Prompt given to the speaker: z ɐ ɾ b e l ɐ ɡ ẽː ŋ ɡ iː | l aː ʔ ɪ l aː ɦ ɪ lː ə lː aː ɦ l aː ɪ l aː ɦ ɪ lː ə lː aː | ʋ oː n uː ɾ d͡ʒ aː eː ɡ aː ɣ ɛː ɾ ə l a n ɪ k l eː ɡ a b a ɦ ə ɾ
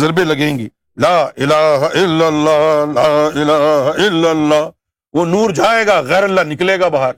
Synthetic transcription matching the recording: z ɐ ɾ b e l ɐ ɡ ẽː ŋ ɡ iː | l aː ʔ ɪ l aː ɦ ɪ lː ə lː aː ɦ l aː ɪ l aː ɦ ɪ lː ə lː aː | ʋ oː n uː ɾ d͡ʒ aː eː ɡ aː ɣ ɛː ɾ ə lː a n ɪ k l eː ɡ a b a ɦ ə ɾ